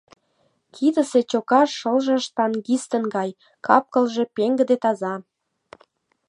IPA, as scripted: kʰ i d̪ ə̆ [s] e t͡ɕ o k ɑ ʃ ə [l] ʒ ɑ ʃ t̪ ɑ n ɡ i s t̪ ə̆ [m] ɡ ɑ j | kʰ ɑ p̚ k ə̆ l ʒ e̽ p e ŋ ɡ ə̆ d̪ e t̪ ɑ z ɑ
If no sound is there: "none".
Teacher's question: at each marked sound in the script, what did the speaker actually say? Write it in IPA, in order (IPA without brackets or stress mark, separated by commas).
s, l, n